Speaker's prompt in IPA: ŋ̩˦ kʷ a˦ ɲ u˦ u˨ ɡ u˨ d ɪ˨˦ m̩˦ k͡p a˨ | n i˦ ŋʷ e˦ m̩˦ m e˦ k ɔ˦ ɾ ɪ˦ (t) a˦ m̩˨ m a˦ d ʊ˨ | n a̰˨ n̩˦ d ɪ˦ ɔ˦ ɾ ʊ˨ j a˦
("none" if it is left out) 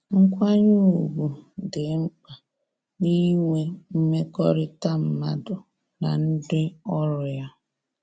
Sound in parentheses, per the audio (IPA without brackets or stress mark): t